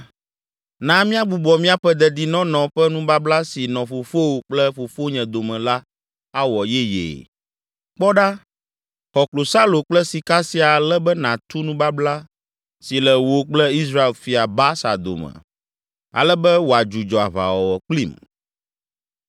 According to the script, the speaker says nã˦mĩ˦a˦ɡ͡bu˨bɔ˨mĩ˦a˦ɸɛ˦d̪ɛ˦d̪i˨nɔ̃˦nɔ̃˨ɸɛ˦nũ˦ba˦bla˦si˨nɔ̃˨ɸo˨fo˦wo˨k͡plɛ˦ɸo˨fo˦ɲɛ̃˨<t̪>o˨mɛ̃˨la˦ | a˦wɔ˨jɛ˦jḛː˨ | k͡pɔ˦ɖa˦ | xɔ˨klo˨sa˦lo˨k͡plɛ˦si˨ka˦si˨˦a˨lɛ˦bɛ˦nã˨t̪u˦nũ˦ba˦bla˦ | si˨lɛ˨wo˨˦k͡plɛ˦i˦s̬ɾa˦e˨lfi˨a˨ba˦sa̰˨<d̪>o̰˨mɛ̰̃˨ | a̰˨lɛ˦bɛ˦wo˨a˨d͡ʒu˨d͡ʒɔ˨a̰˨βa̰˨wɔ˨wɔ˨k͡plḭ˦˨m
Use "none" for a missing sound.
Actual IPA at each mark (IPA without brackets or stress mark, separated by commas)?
d̪, d̪